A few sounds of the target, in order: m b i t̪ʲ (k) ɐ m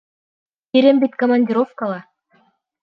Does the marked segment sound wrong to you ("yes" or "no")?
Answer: no